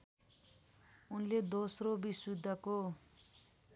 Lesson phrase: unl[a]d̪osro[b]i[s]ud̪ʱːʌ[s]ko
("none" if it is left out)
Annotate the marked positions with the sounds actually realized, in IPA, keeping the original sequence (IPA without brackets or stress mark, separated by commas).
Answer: e, b, s, none